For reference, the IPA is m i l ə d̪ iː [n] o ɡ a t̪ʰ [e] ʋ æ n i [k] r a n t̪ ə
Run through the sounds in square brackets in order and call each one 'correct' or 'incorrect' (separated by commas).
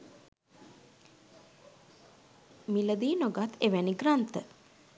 correct, correct, incorrect